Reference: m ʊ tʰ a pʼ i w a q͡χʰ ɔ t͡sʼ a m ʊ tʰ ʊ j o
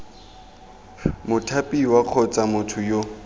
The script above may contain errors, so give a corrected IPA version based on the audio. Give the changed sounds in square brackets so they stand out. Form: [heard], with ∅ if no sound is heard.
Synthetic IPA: m ʊ tʰ a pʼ i w a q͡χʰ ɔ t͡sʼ a m ʊ tʰ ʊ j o